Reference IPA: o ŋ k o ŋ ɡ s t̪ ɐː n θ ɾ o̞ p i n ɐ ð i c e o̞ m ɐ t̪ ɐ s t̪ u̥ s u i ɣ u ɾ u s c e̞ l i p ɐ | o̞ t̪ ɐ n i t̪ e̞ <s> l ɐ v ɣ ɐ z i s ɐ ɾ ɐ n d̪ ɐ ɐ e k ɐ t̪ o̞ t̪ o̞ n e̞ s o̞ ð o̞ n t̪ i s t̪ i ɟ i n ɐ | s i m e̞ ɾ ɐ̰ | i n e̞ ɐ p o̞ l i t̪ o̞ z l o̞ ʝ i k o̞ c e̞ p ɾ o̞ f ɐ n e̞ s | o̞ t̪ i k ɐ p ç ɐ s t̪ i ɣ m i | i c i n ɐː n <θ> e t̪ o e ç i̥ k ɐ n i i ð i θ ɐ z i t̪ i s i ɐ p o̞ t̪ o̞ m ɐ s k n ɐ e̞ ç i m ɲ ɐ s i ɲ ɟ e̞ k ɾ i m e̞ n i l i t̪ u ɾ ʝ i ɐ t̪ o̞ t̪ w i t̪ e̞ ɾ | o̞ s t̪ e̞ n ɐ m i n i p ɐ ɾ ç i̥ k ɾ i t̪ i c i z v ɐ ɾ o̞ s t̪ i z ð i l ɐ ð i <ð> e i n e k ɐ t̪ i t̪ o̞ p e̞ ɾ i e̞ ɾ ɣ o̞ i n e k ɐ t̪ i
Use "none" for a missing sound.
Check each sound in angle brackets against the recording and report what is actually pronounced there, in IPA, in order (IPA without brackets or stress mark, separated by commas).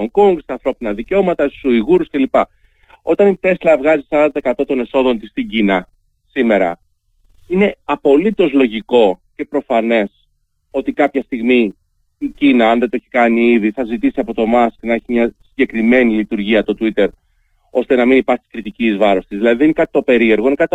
s, ð, ð